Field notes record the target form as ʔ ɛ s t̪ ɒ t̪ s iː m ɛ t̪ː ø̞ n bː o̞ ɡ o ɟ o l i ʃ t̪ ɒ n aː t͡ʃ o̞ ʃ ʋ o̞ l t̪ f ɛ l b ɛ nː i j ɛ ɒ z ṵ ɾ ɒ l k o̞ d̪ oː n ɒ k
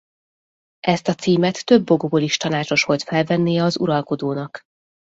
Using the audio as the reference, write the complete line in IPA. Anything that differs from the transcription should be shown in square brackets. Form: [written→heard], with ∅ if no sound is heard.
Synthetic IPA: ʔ ɛ s t̪ ɒ t̪ s iː m ɛ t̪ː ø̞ [n→∅] bː o̞ ɡ o [ɟ→b] o l i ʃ t̪ ɒ n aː t͡ʃ o̞ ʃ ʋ o̞ l t̪ f ɛ l [b→v] ɛ nː i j ɛ ɒ z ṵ ɾ ɒ l k o̞ d̪ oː n ɒ k